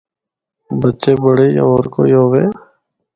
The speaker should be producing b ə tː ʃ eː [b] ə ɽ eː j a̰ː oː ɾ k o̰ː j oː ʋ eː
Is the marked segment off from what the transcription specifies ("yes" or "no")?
no